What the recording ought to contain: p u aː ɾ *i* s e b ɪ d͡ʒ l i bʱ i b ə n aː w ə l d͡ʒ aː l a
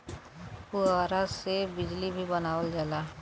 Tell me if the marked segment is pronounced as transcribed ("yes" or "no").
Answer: no